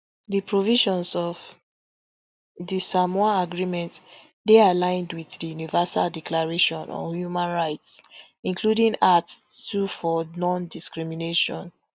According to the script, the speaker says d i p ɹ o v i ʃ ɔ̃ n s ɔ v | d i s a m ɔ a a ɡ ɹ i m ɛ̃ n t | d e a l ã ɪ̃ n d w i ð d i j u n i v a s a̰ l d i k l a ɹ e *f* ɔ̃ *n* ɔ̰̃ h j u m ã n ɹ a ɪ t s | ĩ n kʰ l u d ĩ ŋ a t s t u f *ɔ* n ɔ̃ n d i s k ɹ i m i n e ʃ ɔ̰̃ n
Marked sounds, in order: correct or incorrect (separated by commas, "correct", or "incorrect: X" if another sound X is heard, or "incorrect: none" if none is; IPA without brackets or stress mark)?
incorrect: ʃ, correct, correct